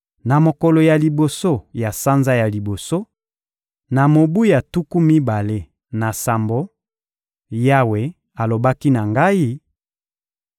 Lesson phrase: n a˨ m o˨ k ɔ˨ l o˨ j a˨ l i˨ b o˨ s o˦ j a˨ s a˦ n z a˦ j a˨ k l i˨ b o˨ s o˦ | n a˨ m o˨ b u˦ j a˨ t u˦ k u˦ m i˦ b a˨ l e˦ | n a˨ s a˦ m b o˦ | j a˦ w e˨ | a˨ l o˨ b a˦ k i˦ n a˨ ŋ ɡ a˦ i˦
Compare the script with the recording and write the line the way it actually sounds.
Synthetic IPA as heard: n a˨ m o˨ k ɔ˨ l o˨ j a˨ l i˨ b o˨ s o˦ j a˨ s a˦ n z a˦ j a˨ l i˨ b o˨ s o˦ | n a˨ m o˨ b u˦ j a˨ t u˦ k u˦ m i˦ b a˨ l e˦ | n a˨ s a˨ m b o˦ | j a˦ w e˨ | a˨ l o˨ b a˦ k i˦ n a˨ ŋ ɡ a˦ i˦